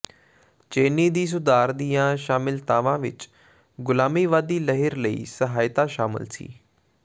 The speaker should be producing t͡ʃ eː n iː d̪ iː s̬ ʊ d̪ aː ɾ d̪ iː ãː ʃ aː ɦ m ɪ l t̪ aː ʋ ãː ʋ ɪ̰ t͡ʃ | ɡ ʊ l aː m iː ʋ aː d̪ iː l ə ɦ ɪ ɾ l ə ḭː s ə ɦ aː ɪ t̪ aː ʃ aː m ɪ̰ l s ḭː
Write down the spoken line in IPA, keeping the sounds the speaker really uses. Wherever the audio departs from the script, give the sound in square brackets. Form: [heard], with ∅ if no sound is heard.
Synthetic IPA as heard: t͡ʃ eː n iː d̪ iː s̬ ʊ d̪ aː ɾ d̪ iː ãː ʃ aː [∅] m ɪ l t̪ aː ʋ ãː ʋ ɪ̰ t͡ʃ | ɡ ʊ l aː m iː ʋ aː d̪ iː l ə ɦ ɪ ɾ l ə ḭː s ə ɦ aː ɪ t̪ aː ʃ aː m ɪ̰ l s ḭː